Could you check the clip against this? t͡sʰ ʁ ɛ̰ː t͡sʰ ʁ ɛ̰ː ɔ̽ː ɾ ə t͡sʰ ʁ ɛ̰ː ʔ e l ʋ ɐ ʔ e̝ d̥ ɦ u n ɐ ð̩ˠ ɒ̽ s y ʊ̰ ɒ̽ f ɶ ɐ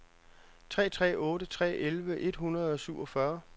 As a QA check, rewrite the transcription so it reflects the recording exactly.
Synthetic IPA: t͡sʰ ʁ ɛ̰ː t͡sʰ ʁ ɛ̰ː ɔ̽ː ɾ ə t͡sʰ ʁ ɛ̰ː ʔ e l ʋ ə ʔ e̝ d̥ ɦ u n ɐ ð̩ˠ ɒ̽ s y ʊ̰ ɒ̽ f ɶ ɐ